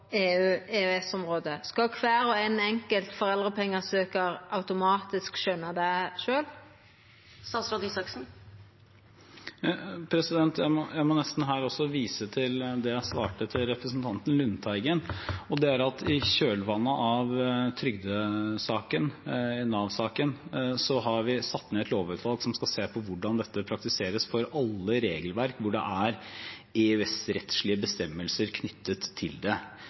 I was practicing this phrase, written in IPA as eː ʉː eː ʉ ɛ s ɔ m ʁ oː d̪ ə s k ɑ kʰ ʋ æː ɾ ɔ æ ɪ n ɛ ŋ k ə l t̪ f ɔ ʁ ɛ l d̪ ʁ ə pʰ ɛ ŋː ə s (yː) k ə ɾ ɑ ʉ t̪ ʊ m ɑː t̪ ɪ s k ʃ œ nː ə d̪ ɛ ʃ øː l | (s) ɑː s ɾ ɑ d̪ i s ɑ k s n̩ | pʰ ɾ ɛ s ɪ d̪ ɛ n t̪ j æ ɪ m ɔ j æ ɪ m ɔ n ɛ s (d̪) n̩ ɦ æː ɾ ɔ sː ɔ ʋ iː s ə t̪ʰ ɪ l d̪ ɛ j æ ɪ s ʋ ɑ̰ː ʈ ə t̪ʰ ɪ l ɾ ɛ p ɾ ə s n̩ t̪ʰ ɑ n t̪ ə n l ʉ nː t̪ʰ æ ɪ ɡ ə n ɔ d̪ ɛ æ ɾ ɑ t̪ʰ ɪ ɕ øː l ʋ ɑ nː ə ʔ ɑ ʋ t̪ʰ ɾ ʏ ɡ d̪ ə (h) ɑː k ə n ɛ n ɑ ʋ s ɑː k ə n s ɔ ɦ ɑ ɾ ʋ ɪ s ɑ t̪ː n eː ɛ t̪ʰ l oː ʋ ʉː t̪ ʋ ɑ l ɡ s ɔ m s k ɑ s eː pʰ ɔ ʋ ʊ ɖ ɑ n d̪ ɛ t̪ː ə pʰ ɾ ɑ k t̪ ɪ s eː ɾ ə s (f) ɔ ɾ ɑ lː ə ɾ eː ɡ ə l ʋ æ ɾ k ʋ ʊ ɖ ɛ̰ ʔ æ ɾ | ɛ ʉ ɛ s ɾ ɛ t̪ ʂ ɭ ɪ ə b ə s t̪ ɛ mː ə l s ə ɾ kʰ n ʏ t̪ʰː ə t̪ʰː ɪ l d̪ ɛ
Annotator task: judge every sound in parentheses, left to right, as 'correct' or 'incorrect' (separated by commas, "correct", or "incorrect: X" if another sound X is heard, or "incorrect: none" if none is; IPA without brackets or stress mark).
incorrect: øː, correct, incorrect: t̪, incorrect: s, correct